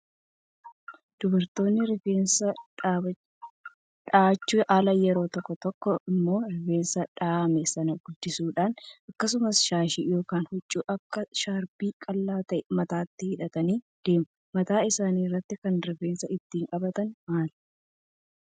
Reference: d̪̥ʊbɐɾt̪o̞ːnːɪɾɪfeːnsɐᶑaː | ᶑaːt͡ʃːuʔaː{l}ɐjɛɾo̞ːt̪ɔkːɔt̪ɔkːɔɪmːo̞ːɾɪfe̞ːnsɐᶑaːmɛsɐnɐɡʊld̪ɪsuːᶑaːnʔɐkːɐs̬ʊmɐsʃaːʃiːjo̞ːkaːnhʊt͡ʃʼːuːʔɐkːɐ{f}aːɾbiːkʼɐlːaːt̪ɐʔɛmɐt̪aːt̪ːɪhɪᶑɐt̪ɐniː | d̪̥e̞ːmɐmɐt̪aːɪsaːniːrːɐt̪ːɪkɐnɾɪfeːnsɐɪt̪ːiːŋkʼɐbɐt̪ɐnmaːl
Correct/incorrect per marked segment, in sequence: correct, incorrect: ʃ

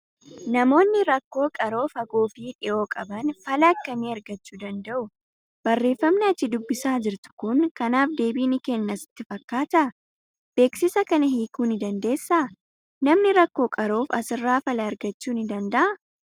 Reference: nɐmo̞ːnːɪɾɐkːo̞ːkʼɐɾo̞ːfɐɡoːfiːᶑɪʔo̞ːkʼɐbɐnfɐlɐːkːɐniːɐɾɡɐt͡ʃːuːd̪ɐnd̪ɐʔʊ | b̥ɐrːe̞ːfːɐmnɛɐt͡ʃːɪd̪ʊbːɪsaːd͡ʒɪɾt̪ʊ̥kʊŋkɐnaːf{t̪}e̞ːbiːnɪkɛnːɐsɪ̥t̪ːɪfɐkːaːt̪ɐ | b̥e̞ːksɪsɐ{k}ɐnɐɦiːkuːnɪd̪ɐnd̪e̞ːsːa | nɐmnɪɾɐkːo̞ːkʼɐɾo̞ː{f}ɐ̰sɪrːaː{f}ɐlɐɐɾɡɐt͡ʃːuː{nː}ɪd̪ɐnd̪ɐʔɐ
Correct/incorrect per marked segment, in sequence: incorrect: d̪, correct, correct, correct, incorrect: n

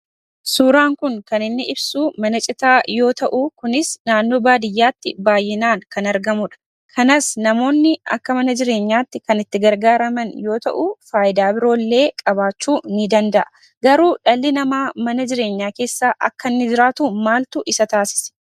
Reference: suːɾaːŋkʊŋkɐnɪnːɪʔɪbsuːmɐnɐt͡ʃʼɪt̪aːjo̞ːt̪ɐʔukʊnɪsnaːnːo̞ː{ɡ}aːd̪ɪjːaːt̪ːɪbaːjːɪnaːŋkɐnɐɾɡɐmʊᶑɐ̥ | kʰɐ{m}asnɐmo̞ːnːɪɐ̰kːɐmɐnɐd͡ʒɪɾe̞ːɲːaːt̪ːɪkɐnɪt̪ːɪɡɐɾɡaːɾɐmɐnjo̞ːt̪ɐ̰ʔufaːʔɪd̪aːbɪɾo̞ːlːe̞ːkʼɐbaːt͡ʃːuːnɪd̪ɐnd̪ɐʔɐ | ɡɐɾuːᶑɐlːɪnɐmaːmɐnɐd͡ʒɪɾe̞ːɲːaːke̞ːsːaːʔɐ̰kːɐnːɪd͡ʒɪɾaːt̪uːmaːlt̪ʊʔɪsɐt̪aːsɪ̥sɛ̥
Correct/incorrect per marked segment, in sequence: incorrect: b, incorrect: n

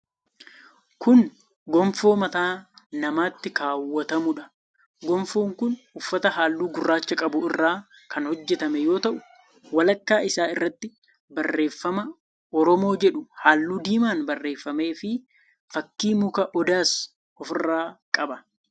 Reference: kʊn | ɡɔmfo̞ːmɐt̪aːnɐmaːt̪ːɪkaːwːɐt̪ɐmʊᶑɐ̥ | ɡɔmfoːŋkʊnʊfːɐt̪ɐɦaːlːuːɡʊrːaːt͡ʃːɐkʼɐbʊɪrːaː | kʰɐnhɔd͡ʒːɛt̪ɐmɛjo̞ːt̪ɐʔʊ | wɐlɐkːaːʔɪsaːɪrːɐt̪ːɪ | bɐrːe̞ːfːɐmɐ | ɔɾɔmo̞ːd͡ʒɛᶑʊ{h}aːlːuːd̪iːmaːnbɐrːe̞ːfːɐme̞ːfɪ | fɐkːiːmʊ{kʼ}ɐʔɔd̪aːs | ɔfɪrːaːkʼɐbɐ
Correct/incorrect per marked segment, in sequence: correct, incorrect: k

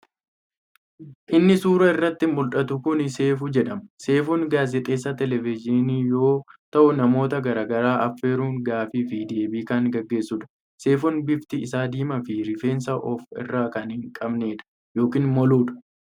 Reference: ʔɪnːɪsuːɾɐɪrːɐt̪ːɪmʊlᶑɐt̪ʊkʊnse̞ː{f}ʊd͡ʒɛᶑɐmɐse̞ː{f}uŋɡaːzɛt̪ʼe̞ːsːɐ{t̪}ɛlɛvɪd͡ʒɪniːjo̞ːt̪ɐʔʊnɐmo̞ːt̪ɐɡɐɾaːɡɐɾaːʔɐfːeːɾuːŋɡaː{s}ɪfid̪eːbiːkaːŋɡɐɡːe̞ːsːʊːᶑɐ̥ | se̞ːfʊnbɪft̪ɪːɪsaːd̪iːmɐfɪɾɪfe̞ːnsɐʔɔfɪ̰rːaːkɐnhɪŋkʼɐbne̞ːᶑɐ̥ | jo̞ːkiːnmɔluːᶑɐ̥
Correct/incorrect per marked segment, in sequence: correct, correct, correct, incorrect: f

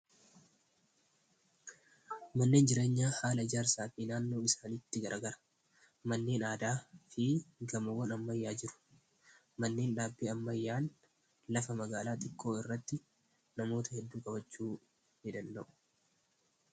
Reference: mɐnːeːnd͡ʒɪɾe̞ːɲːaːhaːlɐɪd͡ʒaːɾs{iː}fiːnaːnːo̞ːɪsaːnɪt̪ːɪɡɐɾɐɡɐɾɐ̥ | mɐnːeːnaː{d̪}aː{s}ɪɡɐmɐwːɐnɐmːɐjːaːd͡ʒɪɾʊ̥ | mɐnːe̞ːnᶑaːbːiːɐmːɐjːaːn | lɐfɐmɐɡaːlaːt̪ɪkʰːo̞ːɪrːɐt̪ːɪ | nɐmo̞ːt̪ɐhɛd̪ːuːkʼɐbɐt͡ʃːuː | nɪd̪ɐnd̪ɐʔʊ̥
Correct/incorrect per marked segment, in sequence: incorrect: aː, correct, incorrect: f

